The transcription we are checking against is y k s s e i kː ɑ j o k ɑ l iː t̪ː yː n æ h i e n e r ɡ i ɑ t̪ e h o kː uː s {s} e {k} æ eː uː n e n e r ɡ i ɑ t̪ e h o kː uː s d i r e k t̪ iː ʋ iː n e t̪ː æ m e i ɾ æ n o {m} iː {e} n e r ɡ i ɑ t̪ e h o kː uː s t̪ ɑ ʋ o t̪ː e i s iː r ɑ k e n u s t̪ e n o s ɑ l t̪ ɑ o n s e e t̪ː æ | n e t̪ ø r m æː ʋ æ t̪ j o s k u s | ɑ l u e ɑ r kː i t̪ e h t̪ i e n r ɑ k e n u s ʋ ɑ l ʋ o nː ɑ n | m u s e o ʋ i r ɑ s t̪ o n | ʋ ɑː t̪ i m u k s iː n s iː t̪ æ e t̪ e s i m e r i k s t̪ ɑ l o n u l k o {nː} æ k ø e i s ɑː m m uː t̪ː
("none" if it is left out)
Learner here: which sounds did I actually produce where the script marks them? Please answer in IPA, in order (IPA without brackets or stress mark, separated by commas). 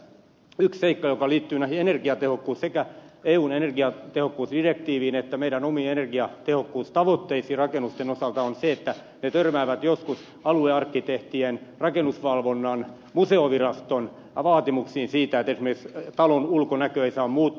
s, k, m, e, n